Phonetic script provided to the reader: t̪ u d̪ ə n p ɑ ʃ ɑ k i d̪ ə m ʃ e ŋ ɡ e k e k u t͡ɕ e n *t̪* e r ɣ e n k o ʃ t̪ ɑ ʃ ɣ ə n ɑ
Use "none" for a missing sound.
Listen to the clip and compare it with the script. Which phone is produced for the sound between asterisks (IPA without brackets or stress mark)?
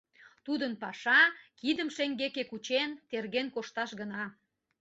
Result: t̪